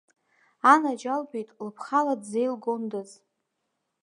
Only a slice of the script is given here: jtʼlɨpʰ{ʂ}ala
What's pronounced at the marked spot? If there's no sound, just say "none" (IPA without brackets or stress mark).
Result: χ